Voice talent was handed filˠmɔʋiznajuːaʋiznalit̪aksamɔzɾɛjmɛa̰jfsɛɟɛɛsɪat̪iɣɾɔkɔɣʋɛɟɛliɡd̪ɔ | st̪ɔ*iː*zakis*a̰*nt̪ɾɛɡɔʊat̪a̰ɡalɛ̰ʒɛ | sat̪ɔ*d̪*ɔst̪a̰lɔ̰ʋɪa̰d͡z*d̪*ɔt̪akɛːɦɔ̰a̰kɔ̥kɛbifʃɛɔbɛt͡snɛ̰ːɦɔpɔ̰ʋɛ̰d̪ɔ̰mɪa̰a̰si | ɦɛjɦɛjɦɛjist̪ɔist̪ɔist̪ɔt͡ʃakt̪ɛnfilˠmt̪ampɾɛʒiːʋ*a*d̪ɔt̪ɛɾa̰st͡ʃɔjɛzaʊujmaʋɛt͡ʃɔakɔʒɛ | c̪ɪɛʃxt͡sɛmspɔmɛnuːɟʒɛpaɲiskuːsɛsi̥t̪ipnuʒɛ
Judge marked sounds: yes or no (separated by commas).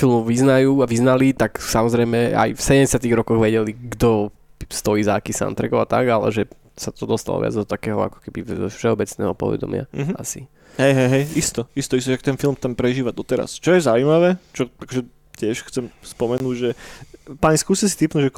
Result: yes, yes, yes, yes, yes